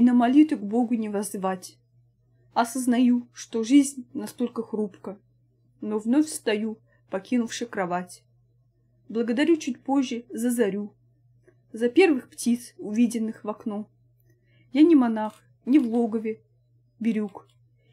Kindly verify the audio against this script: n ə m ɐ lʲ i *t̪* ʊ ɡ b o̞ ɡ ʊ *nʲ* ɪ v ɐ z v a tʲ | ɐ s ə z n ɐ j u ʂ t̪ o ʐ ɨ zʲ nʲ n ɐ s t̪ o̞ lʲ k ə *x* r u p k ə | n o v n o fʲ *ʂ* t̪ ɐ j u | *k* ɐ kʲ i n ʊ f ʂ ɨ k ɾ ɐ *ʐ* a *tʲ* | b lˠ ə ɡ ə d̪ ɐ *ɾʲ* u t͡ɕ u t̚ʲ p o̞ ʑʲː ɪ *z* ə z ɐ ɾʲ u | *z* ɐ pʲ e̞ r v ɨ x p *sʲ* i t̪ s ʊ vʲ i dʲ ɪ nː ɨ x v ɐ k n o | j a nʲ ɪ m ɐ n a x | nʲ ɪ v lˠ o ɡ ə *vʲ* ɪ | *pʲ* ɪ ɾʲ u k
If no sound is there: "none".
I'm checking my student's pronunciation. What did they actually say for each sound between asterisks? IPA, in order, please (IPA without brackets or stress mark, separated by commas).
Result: t̪, nʲ, x, s, p, v, tʲ, ɾʲ, z, z, tʲ, vʲ, bʲ